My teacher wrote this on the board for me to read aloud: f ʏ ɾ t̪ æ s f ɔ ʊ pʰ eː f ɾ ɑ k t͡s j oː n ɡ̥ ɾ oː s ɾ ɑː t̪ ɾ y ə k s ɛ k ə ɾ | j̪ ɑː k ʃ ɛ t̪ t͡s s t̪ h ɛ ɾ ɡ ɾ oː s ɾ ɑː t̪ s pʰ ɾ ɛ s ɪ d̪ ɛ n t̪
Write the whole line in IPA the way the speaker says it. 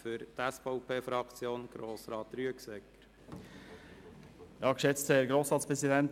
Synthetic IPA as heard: f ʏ ɾ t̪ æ s f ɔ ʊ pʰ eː f ɾ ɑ k t͡s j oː n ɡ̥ ɾ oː s ɾ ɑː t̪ ɾ y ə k s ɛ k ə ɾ | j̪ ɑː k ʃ ɛ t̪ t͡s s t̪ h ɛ ɾ ɡ ɾ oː s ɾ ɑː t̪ s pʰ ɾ ɛ s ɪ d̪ ɛ n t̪